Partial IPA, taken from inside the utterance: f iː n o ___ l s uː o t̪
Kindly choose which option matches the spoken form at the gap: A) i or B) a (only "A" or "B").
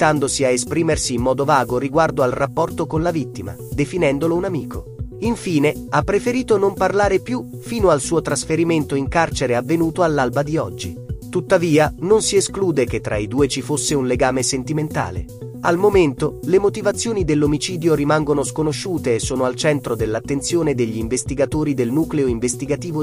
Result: B